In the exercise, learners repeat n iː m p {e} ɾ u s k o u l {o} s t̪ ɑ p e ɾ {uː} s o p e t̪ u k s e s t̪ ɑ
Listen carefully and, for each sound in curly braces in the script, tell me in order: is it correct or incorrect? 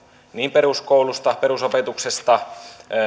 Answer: correct, incorrect, incorrect

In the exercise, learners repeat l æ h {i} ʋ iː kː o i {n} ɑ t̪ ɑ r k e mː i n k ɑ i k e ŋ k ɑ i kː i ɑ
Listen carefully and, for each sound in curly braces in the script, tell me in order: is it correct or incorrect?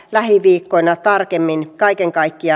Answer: correct, correct

